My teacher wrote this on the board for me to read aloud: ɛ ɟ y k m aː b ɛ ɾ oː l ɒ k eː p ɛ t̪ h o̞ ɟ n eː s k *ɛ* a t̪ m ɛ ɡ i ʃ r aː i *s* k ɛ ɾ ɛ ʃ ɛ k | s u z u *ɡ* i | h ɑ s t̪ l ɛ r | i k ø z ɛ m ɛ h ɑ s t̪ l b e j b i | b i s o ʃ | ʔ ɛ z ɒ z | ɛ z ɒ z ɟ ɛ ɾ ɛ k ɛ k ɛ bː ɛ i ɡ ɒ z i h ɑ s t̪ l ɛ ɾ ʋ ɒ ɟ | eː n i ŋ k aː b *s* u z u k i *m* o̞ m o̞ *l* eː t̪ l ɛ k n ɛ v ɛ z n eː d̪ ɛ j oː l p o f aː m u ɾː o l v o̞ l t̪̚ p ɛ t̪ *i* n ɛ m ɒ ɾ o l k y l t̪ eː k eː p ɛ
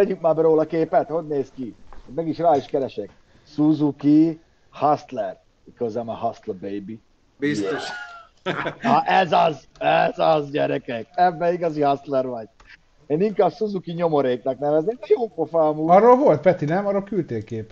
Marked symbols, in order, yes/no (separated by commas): no, no, no, yes, no, no, yes